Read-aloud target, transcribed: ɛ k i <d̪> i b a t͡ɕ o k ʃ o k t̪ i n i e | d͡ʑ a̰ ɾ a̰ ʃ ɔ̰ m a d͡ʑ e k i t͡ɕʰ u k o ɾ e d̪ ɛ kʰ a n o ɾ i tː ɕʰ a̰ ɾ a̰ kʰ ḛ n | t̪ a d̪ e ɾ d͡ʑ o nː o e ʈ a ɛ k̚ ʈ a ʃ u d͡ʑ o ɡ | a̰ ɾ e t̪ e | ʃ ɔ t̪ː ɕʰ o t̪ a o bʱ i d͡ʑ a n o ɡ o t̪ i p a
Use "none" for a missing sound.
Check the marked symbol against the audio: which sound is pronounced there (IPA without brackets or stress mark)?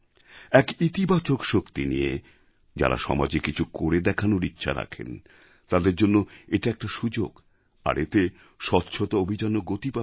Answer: t̪